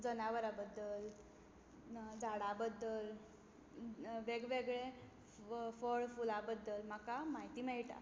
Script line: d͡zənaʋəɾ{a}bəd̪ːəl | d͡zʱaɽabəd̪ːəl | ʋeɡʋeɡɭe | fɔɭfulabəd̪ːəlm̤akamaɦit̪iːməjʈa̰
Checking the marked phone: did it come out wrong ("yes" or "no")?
no